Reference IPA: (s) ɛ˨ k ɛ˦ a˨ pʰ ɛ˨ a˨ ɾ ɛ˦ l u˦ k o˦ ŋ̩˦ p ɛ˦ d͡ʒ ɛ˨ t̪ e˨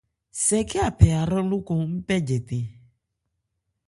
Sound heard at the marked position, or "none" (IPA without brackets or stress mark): s